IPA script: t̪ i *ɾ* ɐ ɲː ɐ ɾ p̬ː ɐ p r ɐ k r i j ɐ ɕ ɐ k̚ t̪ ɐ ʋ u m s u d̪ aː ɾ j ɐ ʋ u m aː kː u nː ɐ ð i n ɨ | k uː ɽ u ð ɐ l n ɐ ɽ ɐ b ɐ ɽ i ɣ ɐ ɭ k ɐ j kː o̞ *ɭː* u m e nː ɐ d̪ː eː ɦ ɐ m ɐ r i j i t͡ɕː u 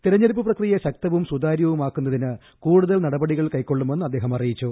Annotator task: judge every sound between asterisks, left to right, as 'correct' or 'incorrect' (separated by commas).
correct, correct